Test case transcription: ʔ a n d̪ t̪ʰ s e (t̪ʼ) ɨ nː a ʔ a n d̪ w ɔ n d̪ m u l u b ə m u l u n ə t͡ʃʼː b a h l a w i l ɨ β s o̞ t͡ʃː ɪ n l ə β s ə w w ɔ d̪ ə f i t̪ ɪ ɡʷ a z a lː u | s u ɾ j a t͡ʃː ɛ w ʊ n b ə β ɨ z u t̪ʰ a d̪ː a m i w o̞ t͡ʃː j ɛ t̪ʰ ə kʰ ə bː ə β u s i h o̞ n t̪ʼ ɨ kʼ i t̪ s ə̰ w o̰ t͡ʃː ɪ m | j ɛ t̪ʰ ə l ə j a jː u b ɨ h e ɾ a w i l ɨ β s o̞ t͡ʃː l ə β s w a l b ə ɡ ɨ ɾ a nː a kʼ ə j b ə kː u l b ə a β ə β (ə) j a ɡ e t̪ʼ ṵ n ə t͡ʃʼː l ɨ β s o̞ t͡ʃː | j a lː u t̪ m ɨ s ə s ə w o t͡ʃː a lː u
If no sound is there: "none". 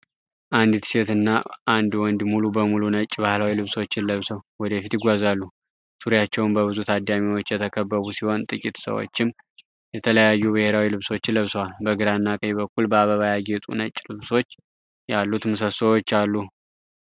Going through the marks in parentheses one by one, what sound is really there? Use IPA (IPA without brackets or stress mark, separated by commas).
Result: t̪, a